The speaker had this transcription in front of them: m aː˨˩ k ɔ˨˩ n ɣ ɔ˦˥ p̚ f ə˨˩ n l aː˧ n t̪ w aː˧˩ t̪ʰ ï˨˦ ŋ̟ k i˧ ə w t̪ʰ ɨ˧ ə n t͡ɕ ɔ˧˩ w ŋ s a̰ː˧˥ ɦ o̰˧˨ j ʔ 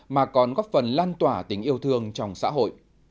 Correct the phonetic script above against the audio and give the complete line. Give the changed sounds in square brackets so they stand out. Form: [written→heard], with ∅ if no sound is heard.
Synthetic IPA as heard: m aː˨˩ k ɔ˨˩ n ɣ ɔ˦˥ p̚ f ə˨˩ n l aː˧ n t̪ w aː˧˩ [t̪ʰ→t̪] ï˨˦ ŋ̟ [k→ʔ] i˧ ə w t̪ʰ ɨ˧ ə [n→ŋ] t͡ɕ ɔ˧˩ w [ŋ→ŋ͡m] s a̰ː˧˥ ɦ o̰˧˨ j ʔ

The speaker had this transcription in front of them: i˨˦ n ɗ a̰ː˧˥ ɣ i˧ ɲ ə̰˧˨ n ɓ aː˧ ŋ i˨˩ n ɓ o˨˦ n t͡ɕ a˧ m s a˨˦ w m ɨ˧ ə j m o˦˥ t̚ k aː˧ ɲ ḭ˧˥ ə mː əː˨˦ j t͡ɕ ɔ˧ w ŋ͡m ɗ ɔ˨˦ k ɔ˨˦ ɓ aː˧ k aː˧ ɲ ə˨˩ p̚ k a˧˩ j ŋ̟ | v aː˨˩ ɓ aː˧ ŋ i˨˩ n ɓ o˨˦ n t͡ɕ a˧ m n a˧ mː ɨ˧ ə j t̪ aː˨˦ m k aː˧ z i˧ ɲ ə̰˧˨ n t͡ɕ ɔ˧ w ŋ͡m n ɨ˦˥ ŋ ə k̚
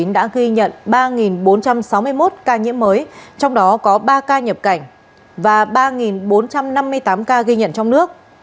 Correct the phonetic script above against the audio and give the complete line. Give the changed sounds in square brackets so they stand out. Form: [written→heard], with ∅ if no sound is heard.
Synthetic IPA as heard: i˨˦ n ɗ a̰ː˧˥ ɣ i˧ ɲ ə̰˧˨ n ɓ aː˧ ŋ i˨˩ n ɓ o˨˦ n t͡ɕ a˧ m s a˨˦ w m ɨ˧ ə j m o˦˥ t̚ k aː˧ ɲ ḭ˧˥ ə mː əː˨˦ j t͡ɕ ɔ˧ w ŋ͡m ɗ ɔ˨˦ k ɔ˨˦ ɓ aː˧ k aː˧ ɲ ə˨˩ p̚ k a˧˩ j ŋ̟ | v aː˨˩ ɓ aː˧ ŋ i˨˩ n ɓ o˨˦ n t͡ɕ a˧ m n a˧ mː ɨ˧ ə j t̪ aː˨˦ m k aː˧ [z→ɣ] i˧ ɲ ə̰˧˨ n t͡ɕ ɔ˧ w ŋ͡m n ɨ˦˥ [ŋ→∅] ə k̚

